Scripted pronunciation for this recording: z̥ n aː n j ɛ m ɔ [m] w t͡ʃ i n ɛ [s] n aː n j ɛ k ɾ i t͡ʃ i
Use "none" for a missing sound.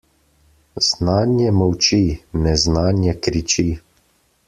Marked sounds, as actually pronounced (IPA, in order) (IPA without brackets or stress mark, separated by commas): none, z